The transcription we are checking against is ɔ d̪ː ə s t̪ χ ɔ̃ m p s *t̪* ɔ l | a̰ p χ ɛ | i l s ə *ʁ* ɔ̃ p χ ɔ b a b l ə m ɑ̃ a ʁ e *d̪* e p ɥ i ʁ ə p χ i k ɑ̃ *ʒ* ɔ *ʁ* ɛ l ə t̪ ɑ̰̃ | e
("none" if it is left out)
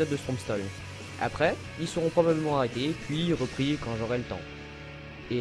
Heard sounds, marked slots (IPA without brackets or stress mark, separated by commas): t̪, ʁ, t̪, ʒ, ʁ